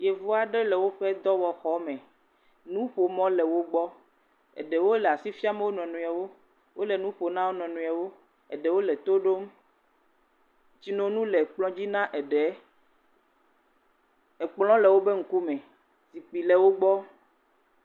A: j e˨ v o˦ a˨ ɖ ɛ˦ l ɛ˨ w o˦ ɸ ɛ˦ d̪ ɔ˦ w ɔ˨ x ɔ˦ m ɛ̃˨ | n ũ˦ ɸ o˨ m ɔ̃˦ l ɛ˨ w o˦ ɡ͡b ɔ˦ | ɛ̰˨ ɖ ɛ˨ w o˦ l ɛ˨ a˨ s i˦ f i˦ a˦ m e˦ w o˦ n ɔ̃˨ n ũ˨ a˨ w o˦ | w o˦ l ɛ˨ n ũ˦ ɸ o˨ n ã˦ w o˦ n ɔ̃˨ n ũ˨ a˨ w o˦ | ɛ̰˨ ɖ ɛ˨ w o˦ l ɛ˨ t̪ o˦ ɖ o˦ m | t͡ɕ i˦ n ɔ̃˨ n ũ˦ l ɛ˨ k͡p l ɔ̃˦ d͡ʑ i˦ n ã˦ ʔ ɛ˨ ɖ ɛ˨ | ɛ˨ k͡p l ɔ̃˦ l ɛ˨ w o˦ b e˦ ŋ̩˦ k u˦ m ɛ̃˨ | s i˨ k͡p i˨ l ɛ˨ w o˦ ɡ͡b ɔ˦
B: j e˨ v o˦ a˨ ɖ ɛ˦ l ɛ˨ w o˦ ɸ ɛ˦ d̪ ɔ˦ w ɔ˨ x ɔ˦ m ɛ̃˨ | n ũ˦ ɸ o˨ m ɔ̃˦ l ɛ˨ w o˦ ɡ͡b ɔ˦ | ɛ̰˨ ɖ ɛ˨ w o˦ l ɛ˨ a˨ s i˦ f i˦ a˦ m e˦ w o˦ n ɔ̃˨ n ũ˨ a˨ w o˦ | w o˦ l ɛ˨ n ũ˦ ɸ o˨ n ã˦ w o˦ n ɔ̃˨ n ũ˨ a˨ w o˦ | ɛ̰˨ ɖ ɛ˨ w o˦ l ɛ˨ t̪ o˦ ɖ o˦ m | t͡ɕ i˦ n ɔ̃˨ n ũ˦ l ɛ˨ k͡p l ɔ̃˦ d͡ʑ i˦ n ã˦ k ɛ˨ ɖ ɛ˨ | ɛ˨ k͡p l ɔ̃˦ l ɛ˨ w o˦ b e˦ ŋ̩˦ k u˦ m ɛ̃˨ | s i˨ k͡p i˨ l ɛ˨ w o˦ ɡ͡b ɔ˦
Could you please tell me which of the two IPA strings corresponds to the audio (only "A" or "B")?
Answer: A